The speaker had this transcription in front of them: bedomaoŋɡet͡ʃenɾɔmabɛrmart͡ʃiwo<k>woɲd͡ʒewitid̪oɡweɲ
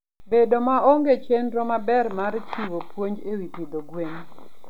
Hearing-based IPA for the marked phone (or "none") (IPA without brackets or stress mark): p